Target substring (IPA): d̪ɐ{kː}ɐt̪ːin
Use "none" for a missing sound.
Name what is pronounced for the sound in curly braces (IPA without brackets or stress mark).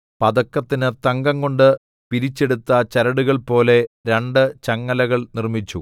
kː